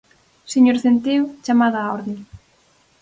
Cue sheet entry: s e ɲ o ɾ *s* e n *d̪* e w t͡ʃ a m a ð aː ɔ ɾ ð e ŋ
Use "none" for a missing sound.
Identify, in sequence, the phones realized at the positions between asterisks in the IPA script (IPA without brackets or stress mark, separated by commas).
θ, t̪